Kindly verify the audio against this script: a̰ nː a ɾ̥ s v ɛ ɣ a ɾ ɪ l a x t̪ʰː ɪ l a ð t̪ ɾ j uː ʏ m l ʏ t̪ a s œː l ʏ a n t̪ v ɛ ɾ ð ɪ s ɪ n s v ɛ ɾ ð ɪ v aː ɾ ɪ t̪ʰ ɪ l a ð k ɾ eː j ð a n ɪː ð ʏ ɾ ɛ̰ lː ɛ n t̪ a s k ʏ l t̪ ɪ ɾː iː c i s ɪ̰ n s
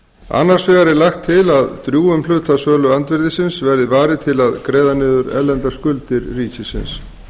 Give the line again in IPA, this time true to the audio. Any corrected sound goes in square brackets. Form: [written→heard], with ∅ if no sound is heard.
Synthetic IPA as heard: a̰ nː a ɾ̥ s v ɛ ɣ a ɾ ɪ l a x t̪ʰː ɪ l a ð t̪ ɾ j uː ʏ m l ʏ t̪ a s œː l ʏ a n t̪ v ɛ ɾ ð ɪ s ɪ n s v ɛ ɾ ð ɪ v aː ɾ ɪ t̪ʰ ɪ l a ð k ɾ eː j ð a n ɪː ð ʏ ɾ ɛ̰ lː ɛ n t̪ a s k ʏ l t̪ ɪ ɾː iː c [i→ɪ] s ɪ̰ n s